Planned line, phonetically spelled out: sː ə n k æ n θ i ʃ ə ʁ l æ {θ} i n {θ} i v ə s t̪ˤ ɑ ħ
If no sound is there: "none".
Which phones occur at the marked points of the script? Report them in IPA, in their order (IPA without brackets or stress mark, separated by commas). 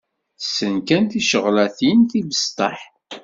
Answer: θ, θ